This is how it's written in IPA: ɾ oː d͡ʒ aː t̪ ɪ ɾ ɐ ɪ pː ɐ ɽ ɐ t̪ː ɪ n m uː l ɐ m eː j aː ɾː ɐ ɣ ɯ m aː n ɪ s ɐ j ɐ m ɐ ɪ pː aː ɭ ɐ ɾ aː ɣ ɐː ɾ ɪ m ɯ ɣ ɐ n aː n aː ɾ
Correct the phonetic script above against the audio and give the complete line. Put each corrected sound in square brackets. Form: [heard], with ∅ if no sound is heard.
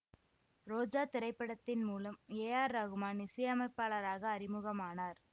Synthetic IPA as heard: ɾ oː d͡ʒ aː t̪ ɪ ɾ ɐ ɪ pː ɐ ɽ ɐ t̪ː ɪ n m uː l ɐ m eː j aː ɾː ɐ ɣ ɯ m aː n ɪ s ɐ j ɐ m ɐ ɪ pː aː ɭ ɐ ɾ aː ɣ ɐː ɾ ɪ m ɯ ɣ ɐ [m] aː n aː ɾ